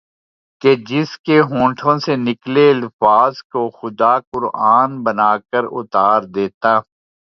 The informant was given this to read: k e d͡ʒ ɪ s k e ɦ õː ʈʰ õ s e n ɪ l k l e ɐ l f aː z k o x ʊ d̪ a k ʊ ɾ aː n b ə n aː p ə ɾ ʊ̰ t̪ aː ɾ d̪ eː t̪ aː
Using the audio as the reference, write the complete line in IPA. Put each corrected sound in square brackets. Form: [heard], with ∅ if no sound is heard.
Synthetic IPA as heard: k e d͡ʒ ɪ s k e ɦ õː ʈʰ õ s e n ɪ [∅] k l e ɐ l f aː z k o x ʊ d̪ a k ʊ ɾ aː n b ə n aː [k] ə ɾ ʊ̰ t̪ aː ɾ d̪ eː t̪ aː